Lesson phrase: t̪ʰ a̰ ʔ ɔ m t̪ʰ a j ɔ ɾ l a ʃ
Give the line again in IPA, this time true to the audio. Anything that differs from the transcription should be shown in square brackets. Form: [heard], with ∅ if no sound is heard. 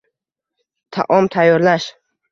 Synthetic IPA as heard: t̪ʰ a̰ ʔ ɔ m t̪ʰ a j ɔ ɾ l a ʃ